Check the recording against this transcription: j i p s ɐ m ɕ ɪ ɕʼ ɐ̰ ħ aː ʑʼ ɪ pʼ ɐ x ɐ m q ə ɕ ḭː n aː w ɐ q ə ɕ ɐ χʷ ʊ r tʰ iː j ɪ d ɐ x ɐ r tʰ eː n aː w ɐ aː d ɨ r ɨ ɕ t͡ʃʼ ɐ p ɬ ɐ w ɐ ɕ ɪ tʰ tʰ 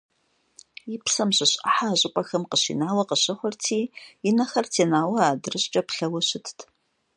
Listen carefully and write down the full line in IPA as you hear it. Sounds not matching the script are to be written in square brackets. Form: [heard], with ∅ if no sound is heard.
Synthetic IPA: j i p s ɐ m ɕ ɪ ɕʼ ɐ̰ ħ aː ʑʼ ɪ pʼ ɐ x ɐ m q ə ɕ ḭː n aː w ɐ q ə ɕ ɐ χʷ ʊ r tʰ iː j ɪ [n] ɐ x ɐ r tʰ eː n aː w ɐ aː d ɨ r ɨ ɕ t͡ʃʼ ɐ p ɬ ɐ w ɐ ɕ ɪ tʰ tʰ